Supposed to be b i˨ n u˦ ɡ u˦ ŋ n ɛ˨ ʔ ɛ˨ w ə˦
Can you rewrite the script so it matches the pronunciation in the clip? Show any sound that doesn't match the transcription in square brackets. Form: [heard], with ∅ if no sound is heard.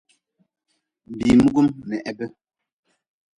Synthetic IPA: b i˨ [m] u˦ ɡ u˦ [m] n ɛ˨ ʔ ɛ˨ [b] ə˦